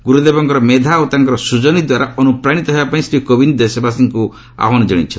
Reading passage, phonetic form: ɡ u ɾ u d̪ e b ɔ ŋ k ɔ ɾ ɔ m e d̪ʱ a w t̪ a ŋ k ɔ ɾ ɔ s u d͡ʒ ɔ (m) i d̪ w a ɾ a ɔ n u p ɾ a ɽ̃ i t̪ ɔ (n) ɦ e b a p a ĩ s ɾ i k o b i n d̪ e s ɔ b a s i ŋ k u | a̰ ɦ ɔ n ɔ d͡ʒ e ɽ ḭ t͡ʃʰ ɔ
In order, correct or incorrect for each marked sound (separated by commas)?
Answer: incorrect, incorrect